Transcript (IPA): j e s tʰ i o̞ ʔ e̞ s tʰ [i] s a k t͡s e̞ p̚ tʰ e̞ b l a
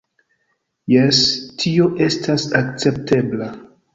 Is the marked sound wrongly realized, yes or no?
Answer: yes